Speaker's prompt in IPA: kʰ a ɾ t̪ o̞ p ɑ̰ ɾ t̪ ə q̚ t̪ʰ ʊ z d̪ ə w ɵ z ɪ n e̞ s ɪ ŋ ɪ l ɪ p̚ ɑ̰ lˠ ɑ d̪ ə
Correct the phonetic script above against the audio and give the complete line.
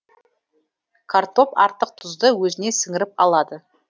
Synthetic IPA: kʰ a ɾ t̪ o̞ p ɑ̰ ɾ t̪ ə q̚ t̪ʰ ʊ z d̪ ə w ɵ z ɪ n e̞ s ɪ ŋ ɪ ɾ ɪ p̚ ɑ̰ lˠ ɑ d̪ ə